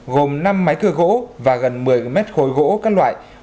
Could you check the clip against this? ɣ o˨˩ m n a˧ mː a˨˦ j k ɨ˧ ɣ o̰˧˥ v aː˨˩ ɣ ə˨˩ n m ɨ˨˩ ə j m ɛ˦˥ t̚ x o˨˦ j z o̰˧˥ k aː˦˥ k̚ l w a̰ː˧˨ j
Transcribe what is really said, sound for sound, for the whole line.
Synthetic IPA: ɣ o˨˩ m n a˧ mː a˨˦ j k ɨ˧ ɣ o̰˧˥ v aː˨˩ ɣ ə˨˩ n m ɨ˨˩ ə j m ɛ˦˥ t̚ x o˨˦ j ɣ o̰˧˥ k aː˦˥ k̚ l w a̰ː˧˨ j